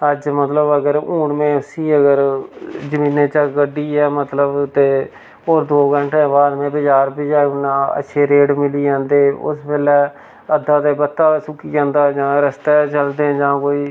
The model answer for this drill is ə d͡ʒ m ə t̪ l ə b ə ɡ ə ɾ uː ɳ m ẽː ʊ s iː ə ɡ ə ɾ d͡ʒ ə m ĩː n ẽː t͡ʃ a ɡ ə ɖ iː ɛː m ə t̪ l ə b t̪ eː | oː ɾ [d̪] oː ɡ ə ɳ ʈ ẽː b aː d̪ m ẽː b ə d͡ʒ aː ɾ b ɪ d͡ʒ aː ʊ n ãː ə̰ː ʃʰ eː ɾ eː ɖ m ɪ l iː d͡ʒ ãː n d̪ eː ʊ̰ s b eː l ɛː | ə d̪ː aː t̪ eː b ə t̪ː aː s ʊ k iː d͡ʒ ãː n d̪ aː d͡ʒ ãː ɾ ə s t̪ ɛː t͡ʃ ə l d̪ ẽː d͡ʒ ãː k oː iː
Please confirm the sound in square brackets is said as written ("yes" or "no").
yes